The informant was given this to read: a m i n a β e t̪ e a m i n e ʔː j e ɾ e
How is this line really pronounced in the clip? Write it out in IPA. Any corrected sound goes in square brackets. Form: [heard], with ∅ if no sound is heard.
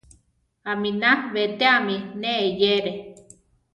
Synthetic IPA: a m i n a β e t̪ e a m i n e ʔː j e ɾ e

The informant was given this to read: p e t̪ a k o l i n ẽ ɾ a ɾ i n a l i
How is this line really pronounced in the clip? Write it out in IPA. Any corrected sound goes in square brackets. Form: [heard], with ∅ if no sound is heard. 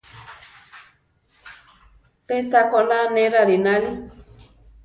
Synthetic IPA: p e t̪ a k o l [a] n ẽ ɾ a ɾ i n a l i

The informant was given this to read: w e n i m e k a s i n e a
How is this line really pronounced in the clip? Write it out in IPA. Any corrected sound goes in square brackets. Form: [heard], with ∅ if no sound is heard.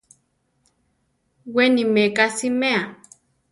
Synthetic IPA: w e n i m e k a s i [m] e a

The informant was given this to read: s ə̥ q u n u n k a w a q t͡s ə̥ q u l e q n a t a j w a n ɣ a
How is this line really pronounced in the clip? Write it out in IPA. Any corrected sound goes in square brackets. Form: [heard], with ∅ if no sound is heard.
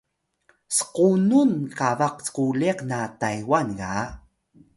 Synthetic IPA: s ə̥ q u n u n k a [v] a q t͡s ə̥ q u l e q n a t a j w a n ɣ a

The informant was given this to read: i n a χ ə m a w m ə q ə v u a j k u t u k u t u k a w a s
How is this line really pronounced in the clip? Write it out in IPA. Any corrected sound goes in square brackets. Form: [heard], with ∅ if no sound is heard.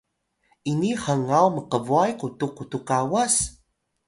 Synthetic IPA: i n [i] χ ə [ŋ] a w m ə q ə v u a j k u t u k u t u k a w a s

